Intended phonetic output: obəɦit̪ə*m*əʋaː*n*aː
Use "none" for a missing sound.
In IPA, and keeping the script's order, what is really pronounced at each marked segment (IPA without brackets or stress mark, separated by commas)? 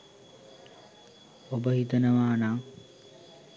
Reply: n, n